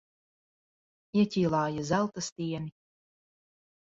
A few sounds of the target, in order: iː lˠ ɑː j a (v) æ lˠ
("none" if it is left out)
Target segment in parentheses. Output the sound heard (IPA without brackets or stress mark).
z